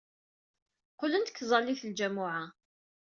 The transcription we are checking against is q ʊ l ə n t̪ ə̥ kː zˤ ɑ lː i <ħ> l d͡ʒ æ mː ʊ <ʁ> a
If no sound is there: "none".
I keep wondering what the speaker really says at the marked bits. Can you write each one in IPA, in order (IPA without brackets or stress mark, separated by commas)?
θ, ʕ